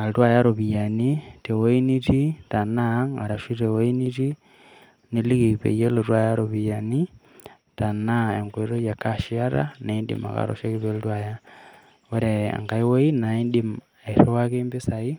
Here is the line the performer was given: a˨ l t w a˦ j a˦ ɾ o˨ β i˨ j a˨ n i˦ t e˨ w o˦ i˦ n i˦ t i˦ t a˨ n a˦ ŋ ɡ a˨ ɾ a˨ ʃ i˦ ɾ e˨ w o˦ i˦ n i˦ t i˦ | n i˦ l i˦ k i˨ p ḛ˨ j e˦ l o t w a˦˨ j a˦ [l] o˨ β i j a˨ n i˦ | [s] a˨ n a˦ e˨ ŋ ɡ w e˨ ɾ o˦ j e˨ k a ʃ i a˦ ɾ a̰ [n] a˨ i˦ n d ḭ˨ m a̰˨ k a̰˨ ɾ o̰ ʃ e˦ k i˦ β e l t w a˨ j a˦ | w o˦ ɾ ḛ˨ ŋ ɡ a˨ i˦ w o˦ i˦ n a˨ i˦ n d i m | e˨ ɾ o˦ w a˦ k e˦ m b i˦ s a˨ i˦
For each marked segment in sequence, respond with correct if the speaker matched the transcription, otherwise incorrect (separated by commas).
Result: incorrect, incorrect, correct